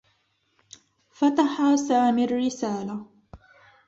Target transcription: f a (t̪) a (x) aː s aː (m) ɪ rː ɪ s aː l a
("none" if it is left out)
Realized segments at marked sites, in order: t̪, ħ, m

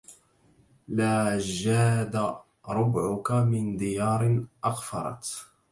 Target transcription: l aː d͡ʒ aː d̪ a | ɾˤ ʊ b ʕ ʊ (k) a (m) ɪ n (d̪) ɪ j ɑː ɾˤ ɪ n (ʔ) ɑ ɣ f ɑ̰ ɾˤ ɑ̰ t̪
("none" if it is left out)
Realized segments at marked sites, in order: k, m, d̪, ʔ

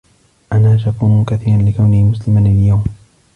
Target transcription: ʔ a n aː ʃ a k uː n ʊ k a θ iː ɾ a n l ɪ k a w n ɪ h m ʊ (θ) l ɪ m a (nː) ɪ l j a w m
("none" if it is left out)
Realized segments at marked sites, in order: s, n

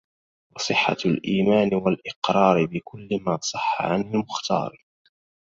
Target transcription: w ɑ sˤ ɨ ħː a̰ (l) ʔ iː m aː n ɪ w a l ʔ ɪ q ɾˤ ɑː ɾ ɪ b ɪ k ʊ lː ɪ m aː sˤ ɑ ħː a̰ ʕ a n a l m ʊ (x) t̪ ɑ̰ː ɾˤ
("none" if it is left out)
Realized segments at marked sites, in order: l, x

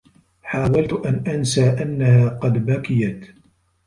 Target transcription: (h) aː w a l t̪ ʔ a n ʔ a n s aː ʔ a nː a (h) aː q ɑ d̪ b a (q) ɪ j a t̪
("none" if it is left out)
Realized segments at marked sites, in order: ħ, h, k

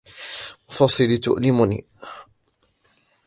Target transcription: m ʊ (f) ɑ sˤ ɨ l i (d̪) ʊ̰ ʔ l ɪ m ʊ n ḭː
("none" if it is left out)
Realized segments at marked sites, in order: f, t̪

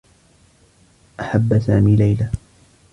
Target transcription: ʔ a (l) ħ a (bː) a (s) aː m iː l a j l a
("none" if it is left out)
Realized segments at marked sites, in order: none, bː, s

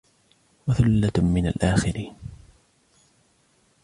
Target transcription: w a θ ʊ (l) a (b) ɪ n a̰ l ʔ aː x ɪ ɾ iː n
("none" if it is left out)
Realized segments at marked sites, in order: lː, m

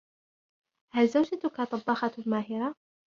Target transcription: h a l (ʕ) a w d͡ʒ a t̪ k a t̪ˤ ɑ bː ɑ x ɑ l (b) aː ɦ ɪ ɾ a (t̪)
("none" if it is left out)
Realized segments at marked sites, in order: z, m, none

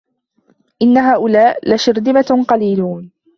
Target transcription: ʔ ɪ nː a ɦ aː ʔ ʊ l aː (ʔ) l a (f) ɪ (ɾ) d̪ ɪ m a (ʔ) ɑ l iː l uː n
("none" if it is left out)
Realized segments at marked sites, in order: ʔ, ʃ, ɾ, q

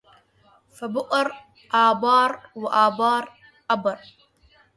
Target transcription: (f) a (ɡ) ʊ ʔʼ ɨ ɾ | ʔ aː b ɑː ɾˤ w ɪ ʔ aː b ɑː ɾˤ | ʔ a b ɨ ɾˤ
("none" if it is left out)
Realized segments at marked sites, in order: f, b

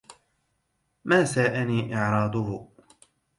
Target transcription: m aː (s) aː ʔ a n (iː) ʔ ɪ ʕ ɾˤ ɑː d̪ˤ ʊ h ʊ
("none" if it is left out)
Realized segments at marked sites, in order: s, iː

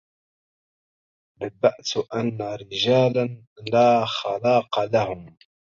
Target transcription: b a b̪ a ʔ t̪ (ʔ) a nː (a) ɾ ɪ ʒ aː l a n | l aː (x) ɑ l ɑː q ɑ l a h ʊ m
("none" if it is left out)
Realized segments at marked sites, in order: ʔ, a, x

